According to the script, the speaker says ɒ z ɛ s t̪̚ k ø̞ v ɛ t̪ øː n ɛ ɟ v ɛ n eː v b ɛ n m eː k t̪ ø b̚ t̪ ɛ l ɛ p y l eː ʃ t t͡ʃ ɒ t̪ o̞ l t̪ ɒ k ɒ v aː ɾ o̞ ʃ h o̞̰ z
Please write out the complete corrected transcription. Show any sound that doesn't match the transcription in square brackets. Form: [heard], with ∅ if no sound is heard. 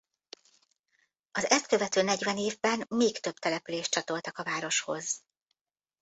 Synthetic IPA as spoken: ɒ z ɛ s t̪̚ k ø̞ v ɛ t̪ øː n ɛ ɟ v ɛ n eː v b ɛ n m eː k t̪ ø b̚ t̪ ɛ l ɛ p y l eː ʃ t t͡ʃ ɒ t̪ o̞ l t̪ ɒ k ɒ v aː ɾ o̞ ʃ h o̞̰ z